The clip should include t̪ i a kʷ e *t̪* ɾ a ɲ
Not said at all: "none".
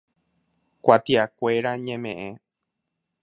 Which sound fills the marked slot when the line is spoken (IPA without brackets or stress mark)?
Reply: none